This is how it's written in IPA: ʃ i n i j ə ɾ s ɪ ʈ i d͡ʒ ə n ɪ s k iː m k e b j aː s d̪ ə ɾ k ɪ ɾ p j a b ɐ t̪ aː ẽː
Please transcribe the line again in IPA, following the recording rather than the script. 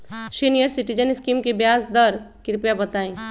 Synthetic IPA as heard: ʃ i n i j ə ɾ s ɪ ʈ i d͡ʒ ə n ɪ s k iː m k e b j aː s d̪ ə ɾ k ɪ ɾ p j a b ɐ t̪ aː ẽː